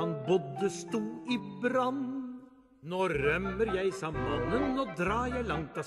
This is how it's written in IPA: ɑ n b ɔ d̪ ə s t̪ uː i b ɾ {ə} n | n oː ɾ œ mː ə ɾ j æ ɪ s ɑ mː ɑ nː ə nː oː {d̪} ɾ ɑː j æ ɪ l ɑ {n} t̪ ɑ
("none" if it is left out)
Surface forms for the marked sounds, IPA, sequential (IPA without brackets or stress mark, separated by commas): ɑ, d̪, ŋ